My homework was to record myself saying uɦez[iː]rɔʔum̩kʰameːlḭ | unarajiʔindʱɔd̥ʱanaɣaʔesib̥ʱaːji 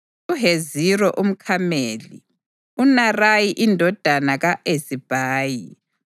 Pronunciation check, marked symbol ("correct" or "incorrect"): incorrect